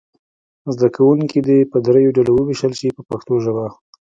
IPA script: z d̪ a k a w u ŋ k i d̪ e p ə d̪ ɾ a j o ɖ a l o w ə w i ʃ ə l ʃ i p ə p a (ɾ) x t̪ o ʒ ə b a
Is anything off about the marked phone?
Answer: yes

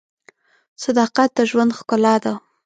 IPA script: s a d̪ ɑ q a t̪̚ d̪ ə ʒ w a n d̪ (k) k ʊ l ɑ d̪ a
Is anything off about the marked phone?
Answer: yes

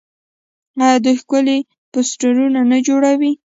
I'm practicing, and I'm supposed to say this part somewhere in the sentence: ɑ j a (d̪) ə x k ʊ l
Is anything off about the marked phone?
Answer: no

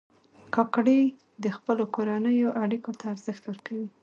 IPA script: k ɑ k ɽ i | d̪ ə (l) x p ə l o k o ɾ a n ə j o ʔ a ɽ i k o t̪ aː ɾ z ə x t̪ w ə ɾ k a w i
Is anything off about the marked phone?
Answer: yes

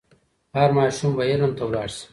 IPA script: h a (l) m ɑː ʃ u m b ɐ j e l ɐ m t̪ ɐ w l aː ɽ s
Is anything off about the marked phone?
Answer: yes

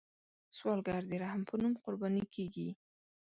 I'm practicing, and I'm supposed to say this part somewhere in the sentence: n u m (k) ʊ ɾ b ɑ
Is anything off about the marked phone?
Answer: yes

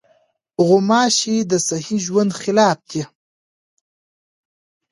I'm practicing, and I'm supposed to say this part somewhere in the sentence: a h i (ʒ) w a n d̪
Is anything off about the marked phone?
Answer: no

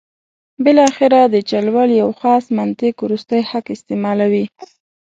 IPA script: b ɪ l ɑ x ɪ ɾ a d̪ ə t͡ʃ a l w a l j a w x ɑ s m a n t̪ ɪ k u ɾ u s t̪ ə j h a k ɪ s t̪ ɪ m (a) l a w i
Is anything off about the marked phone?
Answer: yes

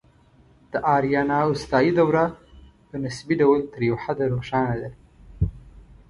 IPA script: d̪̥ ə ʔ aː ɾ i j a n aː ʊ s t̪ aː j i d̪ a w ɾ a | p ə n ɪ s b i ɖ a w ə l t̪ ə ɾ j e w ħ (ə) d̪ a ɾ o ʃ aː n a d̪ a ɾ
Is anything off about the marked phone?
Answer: yes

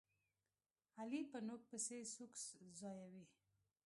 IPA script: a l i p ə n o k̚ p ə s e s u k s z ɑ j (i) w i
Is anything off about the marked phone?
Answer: yes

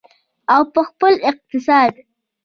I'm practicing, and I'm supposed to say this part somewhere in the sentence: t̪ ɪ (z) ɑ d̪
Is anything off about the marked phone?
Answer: yes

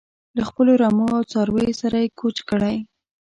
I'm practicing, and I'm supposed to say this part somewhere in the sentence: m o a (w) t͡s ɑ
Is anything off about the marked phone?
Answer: no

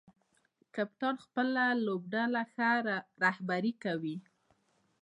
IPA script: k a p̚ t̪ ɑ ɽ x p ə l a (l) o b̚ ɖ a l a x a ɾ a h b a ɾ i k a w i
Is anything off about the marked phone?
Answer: no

